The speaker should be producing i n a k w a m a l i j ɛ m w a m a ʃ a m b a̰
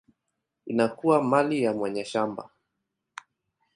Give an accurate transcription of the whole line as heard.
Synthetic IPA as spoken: i n a k u a m a l i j a m w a ɲ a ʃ a m b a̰